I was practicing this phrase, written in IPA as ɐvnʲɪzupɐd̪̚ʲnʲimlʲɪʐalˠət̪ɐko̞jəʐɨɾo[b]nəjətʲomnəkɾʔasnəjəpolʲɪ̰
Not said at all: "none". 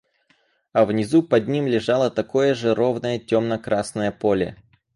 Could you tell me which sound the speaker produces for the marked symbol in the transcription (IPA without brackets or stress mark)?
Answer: v